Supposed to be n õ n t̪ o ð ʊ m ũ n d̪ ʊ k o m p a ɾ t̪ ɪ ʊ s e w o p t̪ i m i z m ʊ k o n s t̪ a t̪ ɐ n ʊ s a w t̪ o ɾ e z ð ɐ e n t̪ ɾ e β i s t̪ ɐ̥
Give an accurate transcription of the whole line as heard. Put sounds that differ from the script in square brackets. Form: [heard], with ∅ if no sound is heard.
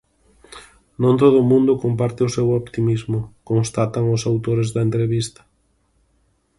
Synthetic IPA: n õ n t̪ o ð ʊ m ũ n d̪ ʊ k o m p a ɾ t̪ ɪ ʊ s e w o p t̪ i m i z m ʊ k o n s t̪ a t̪ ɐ [ŋ] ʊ s a w t̪ o ɾ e z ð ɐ e n t̪ ɾ e β i s t̪ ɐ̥